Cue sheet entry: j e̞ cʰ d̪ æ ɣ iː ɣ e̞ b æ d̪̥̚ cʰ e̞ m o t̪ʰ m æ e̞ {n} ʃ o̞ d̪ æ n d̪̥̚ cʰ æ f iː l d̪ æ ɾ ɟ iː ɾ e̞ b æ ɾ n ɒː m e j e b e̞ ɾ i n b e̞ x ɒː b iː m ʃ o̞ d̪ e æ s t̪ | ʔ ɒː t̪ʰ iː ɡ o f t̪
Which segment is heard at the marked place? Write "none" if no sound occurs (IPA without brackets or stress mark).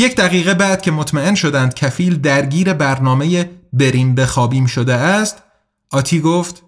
n